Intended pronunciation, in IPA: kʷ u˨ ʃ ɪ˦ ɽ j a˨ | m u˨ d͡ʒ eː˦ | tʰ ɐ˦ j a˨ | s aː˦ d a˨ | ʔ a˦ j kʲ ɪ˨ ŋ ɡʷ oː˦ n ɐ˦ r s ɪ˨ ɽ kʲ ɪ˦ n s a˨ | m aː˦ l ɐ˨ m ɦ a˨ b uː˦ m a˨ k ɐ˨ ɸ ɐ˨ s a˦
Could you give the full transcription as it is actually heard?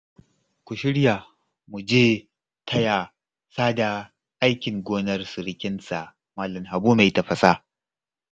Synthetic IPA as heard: kʷ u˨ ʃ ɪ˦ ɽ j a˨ | m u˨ d͡ʒ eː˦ | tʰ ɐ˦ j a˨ | s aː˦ d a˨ | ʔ a˦ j kʲ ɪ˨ ŋ ɡʷ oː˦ n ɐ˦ r s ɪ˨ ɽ kʲ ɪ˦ n s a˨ | m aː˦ l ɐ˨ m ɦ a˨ b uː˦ m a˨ t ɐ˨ ɸ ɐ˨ s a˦